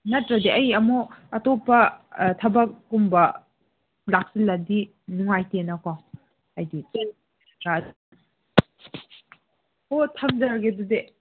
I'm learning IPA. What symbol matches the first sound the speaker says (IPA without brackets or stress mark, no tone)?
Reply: n